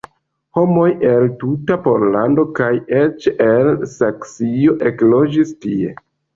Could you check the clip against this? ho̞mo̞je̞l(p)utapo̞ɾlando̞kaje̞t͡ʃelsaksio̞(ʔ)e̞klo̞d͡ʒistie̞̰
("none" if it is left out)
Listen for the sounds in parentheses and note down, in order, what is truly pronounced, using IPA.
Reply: t, ʔ

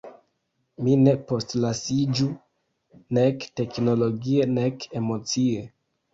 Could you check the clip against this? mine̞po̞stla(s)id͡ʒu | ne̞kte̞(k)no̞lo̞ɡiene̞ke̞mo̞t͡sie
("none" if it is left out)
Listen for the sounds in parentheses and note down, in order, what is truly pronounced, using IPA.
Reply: s, k

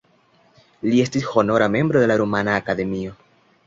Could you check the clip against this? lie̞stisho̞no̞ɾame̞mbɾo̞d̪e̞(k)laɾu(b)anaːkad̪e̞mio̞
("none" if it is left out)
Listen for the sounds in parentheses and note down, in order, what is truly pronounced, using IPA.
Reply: none, m

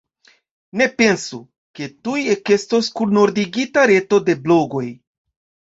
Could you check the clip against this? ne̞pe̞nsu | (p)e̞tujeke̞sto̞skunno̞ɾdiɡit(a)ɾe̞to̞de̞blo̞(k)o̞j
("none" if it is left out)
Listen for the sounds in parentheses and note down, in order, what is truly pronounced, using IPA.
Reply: k, a, ɡ

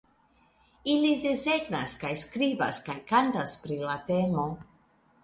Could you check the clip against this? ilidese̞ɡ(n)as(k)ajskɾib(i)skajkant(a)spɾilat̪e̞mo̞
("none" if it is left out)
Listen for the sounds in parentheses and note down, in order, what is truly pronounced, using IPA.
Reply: n, k, a, a

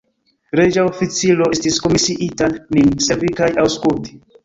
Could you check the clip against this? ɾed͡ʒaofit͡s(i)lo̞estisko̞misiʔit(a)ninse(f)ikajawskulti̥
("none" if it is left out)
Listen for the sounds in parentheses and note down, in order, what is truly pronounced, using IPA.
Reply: i, a, v

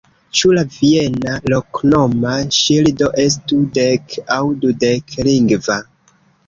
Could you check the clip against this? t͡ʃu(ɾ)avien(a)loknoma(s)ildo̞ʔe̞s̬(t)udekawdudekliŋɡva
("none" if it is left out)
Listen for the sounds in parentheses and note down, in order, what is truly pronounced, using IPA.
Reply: l, a, ʃ, t

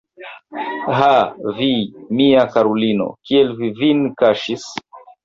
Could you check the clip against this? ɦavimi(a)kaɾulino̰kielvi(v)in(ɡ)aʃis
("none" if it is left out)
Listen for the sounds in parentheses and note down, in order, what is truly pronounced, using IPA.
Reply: a, v, k

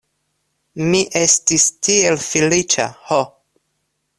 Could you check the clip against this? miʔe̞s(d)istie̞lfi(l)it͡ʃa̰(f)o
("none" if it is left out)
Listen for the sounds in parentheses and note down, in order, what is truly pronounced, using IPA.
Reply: t, l, h

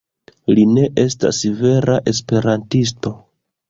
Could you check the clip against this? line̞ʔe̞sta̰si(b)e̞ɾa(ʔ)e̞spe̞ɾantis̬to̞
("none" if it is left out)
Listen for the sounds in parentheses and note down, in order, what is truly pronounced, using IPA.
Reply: v, ʔ

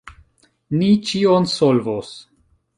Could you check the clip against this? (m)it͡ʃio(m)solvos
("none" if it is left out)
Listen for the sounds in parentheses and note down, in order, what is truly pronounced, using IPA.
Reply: n, n

